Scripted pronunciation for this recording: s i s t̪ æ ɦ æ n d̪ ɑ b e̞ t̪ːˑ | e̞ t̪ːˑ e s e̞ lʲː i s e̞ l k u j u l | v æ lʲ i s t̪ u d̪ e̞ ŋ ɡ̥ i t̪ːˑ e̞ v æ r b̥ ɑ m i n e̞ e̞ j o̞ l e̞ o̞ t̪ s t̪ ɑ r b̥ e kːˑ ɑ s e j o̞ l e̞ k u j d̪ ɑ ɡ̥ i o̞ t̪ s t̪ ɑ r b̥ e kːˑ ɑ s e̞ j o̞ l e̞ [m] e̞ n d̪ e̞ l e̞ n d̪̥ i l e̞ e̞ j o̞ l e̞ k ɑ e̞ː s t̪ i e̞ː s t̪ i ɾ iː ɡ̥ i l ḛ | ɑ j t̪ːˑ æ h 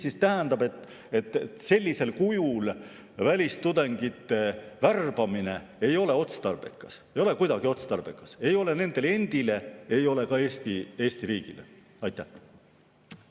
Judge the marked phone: incorrect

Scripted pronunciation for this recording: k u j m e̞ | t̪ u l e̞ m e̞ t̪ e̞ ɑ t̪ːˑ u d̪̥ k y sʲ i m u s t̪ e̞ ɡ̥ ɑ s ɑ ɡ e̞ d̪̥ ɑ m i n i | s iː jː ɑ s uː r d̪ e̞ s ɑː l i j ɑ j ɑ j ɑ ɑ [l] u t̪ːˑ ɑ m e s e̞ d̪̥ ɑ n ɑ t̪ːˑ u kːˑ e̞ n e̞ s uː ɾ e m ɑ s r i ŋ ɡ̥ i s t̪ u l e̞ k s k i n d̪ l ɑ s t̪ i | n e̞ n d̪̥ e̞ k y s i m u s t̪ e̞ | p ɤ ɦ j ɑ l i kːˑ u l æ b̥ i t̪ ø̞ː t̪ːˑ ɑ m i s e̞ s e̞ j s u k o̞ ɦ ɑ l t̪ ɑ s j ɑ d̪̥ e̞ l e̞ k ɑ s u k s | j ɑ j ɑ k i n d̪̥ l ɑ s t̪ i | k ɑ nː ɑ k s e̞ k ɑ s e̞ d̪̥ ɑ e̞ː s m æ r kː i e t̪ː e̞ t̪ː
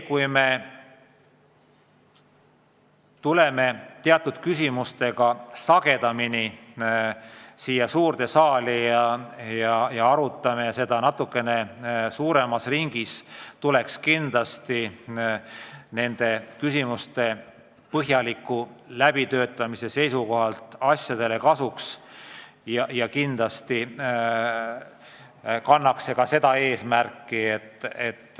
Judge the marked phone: incorrect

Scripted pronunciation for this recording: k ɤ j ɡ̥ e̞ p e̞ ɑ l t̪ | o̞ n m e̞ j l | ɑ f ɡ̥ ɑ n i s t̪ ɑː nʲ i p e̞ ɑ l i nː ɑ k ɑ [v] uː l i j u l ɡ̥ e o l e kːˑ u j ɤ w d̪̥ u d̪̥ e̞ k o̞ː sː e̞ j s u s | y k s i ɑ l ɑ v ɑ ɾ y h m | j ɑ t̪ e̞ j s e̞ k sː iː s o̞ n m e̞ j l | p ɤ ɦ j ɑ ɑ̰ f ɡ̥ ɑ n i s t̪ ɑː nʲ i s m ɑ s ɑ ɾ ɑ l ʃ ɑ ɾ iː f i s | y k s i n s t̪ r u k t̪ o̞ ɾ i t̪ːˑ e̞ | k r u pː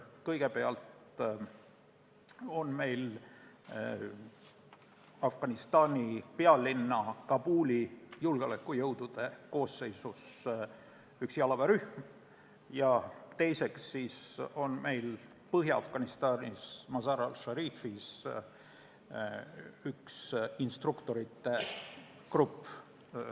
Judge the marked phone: incorrect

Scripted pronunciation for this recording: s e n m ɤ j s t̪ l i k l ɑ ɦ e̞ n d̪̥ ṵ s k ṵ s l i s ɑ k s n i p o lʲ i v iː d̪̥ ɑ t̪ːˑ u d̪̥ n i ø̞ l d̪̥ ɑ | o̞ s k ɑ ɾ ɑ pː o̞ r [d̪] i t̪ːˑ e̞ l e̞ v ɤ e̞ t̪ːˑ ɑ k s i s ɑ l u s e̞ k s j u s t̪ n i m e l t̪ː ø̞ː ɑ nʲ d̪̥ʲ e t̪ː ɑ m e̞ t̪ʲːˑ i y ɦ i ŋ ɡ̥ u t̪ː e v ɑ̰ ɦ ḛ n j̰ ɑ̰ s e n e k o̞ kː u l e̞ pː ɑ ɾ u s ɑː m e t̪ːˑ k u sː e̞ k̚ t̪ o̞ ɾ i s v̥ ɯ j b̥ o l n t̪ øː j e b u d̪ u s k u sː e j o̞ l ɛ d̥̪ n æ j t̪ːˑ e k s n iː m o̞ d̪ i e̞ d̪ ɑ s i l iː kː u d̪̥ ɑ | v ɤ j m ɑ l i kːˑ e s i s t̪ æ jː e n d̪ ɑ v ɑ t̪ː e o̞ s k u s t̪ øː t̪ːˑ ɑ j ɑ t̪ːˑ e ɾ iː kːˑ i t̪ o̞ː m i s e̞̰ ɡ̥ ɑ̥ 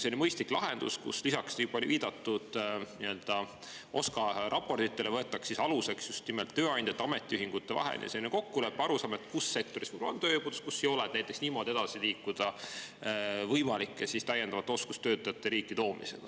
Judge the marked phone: incorrect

